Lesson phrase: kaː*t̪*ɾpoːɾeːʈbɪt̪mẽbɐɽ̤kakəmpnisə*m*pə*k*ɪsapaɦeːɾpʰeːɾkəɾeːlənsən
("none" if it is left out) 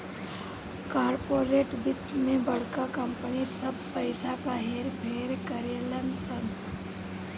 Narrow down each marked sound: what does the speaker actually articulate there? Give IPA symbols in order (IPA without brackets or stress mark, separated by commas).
none, b, none